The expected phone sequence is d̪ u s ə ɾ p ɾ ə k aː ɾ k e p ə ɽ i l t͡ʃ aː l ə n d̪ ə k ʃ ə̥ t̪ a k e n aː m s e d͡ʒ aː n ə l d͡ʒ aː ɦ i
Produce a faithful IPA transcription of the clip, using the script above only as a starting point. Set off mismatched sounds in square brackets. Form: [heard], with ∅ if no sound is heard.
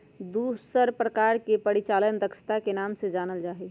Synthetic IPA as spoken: d̪ u s ə ɾ p ɾ ə k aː ɾ k e p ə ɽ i [∅] t͡ʃ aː l ə n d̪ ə k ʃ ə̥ t̪ a k e n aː m s e d͡ʒ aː n ə l d͡ʒ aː ɦ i